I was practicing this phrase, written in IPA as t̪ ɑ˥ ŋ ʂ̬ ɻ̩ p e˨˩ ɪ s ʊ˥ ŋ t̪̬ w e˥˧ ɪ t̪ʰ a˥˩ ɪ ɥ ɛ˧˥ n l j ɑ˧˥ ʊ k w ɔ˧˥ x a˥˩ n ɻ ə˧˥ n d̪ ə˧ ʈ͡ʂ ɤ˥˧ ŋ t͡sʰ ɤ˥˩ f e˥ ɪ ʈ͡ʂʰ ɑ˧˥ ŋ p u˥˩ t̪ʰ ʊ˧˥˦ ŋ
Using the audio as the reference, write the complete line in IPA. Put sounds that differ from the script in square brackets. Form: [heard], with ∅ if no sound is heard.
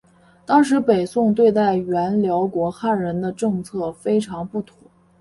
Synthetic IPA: t̪ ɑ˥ ŋ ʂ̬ ɻ̩ p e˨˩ ɪ s [ʊ˥˧] ŋ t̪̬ w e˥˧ ɪ [t̪] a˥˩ ɪ ɥ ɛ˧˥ n l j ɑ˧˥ ʊ k w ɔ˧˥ x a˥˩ n ɻ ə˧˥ n d̪ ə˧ ʈ͡ʂ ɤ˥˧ ŋ t͡sʰ ɤ˥˩ f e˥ ɪ ʈ͡ʂʰ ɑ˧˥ ŋ p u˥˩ t̪ʰ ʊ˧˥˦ ŋ